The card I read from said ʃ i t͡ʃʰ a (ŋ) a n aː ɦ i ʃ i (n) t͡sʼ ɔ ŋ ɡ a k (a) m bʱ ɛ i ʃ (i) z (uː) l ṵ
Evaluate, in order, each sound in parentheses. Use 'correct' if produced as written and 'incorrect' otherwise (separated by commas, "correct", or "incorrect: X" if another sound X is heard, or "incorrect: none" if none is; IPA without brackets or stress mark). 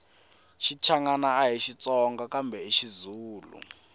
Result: correct, incorrect: none, correct, correct, correct